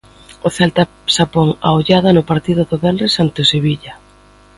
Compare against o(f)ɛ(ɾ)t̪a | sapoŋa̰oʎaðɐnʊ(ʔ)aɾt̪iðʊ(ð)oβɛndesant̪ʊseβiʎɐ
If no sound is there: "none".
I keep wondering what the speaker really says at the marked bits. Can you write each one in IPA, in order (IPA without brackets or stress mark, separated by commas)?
θ, l, p, ð